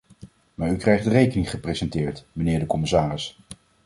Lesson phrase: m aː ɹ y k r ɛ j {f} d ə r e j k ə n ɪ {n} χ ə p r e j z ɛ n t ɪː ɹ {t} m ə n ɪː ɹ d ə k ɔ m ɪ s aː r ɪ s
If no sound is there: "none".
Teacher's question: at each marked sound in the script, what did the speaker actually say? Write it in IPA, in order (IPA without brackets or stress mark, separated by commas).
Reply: χ, ŋ, t